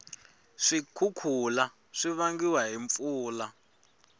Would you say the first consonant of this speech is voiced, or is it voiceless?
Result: voiceless